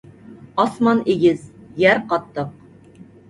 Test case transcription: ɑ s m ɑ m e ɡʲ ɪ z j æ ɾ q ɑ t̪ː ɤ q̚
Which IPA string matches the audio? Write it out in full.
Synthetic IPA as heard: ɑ s m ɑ n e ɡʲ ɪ z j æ ɾ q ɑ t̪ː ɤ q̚